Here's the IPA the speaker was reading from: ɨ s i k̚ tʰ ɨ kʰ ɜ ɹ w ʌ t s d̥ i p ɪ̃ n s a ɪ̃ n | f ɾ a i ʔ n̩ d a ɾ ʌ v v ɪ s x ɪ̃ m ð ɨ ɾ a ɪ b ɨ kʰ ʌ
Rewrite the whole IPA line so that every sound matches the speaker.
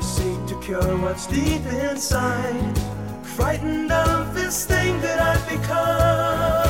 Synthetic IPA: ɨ s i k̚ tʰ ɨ kʰ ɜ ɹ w ʌ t s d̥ i p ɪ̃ n s a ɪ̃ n | f ɹ a ɪ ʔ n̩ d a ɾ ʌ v ð ɪ s θ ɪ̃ ŋ ð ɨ ɾ a ɪ b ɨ kʰ ʌ